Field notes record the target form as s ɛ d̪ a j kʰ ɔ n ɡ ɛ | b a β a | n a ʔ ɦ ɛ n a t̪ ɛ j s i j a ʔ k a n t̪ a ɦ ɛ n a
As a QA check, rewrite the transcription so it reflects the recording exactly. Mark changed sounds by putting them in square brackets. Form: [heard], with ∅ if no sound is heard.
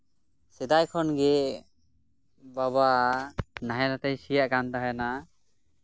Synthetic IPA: s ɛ d̪ a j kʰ ɔ n ɡ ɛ | b a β a | n a [∅] ɦ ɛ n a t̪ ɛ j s i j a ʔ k a n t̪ a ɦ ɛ n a

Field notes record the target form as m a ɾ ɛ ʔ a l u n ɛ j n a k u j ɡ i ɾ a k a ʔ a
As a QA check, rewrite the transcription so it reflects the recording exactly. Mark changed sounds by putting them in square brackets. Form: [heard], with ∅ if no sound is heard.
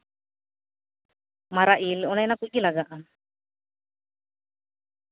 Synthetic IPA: m a ɾ [a] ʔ [i] l [ɔ] n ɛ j n a k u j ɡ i [l] a [ɡ] a ʔ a

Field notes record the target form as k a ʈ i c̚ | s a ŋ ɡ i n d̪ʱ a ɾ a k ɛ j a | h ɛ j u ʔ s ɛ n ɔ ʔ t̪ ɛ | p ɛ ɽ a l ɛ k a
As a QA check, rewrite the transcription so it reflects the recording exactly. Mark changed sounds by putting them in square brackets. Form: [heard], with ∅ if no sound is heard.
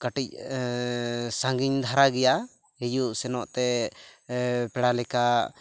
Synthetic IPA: k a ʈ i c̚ | s a ŋ ɡ i [ɲ] d̪ʱ a ɾ a [ɡ] ɛ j a | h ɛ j u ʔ s ɛ n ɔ ʔ t̪ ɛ | p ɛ ɽ a l ɛ k a

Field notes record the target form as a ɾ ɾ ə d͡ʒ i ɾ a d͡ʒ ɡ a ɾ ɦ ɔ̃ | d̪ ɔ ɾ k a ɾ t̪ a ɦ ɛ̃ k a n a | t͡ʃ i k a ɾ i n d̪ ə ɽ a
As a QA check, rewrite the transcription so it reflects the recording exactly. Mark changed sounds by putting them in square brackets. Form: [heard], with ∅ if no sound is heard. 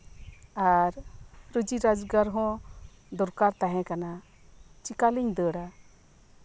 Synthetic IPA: a ɾ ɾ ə d͡ʒ i ɾ a d͡ʒ ɡ a ɾ ɦ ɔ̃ | d̪ ɔ ɾ k a ɾ t̪ a ɦ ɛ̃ k a n a | t͡ʃ i k a [l] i [ɲ] d̪ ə ɽ a

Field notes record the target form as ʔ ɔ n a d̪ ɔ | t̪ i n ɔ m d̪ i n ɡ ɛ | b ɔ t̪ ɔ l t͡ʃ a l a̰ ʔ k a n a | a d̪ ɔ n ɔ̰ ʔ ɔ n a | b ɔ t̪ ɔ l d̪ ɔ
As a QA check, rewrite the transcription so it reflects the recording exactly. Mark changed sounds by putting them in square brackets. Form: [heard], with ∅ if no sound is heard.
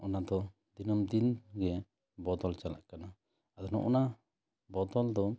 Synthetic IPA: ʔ ɔ n a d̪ ɔ | [d̪] i n ɔ m d̪ i n ɡ ɛ | b ɔ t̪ ɔ l t͡ʃ a l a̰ ʔ k a n a | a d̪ ɔ n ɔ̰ ʔ ɔ n a | b ɔ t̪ ɔ l d̪ ɔ

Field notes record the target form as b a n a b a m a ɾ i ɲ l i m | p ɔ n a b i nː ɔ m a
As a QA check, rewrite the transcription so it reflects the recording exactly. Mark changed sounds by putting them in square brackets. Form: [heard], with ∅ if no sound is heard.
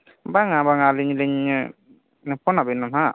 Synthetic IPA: b a [ŋ] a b a [ŋ] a [l] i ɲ l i [ɲ] | p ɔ n a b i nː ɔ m a

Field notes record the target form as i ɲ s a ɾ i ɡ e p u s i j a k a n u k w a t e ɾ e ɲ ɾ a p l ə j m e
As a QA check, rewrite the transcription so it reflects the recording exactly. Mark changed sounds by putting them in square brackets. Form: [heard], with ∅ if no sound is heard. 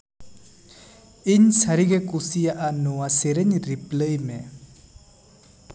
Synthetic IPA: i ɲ s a ɾ i ɡ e [k] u s i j a [ʔ] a n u [∅] w a [s] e ɾ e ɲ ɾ [i] p l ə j m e

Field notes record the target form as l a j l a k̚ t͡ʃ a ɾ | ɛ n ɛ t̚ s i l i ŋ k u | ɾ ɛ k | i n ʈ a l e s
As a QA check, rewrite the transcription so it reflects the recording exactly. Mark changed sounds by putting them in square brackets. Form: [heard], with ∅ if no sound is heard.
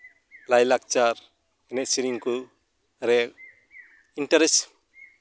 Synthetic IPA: l a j l a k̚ t͡ʃ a ɾ | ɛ n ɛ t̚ s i [ɾ] i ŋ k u | ɾ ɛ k | i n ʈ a [ɾ] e s

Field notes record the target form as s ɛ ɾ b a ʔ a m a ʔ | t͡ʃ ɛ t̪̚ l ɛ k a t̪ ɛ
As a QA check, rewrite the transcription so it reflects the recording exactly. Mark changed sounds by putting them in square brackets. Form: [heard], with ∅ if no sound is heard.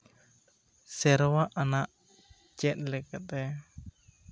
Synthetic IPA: s ɛ ɾ [w] a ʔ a [n] a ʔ | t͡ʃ ɛ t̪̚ l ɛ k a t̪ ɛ

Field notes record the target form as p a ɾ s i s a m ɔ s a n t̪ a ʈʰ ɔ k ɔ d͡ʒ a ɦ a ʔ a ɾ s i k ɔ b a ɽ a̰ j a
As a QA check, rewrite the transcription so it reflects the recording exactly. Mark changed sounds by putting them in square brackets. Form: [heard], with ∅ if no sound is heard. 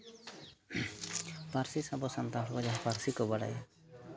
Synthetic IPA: p a ɾ s i s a [b] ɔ s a n t̪ a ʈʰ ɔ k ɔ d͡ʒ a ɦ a [p] a ɾ s i k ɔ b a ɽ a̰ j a

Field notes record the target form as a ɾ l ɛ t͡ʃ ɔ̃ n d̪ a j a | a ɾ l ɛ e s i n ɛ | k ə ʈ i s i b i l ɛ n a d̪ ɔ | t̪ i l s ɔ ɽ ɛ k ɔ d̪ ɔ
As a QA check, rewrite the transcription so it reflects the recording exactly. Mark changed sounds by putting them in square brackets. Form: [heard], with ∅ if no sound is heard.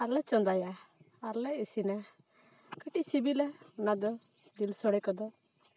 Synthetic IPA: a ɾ l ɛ t͡ʃ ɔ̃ n d̪ a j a | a ɾ l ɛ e s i n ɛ | k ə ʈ i s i b i l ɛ n a d̪ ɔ | [d̪] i l s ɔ ɽ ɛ k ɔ d̪ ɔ

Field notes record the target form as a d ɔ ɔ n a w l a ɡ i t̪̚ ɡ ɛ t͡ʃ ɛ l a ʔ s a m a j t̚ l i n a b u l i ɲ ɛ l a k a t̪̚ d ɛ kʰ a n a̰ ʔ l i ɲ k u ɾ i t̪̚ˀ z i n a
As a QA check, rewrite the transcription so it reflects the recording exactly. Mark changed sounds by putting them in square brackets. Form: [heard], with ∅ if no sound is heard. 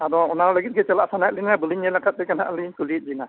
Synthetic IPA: a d ɔ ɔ n a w l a ɡ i t̪̚ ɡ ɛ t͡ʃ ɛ l a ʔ s a [n] a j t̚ l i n a b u l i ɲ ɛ l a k a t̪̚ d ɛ [k] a n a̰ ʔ l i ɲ k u [l] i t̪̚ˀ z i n a

